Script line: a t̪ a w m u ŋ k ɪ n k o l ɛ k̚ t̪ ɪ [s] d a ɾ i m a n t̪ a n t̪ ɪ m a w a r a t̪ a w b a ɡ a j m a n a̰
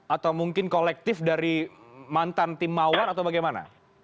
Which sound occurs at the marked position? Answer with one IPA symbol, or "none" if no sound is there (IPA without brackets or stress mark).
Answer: f